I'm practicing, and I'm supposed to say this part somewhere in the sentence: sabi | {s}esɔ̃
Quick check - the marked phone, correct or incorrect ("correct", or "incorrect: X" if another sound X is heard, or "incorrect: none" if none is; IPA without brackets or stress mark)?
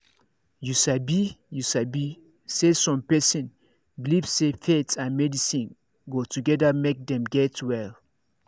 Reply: correct